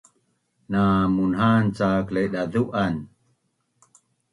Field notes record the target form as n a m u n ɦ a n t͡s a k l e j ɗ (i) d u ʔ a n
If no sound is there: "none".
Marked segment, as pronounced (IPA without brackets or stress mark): a